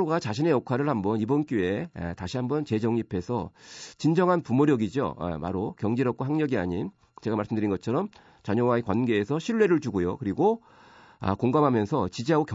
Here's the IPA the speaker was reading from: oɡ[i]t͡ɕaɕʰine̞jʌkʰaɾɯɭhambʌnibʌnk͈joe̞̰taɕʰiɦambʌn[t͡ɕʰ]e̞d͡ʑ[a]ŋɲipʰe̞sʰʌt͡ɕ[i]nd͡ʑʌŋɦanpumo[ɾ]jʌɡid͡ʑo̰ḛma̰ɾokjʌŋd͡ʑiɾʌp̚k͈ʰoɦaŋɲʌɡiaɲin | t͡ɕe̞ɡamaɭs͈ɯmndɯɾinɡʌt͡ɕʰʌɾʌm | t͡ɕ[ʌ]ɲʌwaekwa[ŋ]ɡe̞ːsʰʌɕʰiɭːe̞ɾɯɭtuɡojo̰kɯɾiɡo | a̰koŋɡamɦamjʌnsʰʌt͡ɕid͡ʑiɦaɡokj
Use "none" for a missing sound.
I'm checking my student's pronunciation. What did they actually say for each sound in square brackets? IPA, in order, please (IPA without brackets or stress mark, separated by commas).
a, t͡ɕ, ʌ, i, ɾ, a, n